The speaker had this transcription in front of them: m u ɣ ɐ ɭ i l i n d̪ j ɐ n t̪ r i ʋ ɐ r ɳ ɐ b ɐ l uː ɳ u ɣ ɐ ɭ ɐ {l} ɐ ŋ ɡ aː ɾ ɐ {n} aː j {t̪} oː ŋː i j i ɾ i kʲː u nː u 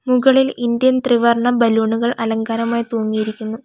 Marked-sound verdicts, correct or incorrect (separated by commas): correct, incorrect, correct